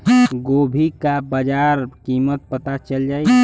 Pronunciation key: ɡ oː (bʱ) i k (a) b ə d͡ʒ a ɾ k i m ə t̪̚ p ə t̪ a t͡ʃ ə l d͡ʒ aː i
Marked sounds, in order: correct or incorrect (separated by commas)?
correct, correct